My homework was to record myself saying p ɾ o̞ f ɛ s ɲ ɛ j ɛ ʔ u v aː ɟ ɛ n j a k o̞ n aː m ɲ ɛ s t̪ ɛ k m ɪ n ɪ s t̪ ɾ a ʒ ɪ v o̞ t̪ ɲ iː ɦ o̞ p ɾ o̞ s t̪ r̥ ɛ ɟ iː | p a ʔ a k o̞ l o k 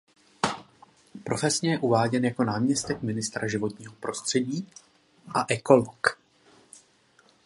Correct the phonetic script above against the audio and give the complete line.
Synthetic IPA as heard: p ɾ o̞ f ɛ s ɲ ɛ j ɛ ʔ u v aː ɟ ɛ n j a k o̞ n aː m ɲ ɛ s t̪ ɛ k m ɪ n ɪ s t̪ ɾ a ʒ ɪ v o̞ t̪ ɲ iː ɦ o̞ p ɾ o̞ s t̪ r̥ ɛ ɟ iː | ʔ a ʔ ɛ k o̞ l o k